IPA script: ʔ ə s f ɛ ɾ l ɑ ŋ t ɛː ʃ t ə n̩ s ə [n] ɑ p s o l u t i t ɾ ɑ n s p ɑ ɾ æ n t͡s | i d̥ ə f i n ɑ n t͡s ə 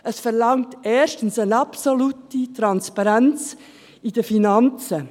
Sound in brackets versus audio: correct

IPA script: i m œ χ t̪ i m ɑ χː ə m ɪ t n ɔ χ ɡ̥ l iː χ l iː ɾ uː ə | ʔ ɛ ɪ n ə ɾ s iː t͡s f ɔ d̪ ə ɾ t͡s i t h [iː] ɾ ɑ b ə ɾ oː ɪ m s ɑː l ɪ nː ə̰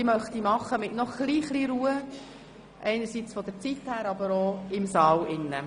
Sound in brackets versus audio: incorrect: æː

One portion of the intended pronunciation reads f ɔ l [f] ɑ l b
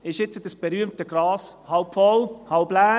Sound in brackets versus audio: incorrect: h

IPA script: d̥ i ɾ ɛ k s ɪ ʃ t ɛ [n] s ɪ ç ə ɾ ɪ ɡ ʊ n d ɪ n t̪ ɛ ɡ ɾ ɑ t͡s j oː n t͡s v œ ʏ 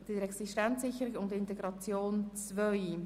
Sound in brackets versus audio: correct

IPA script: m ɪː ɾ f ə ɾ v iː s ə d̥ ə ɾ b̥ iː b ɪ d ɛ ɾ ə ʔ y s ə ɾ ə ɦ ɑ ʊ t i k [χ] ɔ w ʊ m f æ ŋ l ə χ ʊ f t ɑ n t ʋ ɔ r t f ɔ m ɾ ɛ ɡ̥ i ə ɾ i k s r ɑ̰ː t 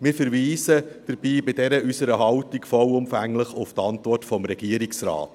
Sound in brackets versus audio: incorrect: f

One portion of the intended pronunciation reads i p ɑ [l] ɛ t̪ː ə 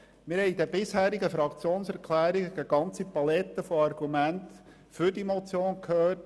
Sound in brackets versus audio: correct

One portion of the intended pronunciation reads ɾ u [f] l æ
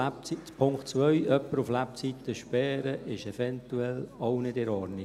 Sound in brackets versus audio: correct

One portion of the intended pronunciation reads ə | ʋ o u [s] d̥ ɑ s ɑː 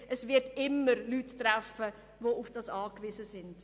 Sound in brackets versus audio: incorrect: f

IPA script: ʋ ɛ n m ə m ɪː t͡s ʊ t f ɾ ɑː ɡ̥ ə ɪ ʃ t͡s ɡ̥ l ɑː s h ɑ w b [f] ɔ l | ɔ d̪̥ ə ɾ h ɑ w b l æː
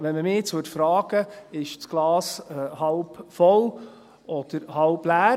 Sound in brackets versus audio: correct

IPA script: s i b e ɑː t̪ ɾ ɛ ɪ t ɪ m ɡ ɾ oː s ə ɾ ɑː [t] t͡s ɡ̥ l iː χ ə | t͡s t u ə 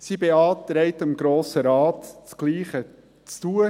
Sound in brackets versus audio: correct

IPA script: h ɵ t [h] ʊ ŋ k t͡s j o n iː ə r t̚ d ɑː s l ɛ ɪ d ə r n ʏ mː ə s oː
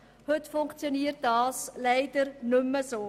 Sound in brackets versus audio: incorrect: f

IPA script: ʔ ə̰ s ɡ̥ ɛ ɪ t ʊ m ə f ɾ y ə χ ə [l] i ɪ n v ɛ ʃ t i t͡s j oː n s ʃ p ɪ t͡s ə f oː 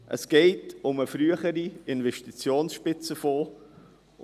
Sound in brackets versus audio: incorrect: ɾ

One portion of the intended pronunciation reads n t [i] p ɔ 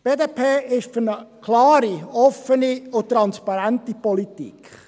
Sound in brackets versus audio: correct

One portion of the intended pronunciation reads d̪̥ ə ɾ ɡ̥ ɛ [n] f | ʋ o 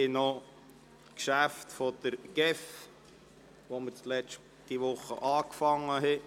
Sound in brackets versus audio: incorrect: none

